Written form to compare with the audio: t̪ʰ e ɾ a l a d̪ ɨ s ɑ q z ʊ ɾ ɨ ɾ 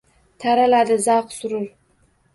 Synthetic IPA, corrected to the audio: t̪ʰ a ɾ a l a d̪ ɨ z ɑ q s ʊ ɾ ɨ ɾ